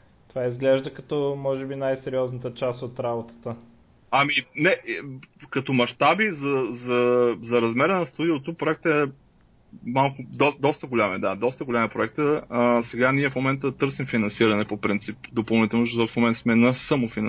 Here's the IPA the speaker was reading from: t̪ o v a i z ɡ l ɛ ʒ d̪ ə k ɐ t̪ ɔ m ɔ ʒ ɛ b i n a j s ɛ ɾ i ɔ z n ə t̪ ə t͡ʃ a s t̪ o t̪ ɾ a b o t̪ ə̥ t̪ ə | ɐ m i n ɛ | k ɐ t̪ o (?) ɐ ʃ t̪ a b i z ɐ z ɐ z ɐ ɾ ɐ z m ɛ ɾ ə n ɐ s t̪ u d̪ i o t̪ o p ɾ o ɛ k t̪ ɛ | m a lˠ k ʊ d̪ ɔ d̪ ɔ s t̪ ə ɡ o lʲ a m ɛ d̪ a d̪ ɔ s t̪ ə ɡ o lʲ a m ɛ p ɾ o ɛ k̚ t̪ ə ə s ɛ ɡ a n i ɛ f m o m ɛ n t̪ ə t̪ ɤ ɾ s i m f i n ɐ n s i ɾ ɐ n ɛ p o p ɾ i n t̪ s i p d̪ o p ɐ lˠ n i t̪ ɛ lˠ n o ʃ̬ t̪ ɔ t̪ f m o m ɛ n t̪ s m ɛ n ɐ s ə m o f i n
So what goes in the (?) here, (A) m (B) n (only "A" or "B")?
A